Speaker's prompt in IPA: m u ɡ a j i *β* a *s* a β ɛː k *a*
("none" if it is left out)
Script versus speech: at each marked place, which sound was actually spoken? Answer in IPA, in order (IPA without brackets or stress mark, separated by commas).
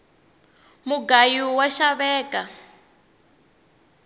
w, ʃ, a